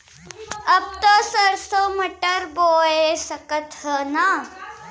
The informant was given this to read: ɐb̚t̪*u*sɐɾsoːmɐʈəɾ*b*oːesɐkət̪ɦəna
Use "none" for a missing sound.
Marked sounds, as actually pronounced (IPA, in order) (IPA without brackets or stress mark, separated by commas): o, b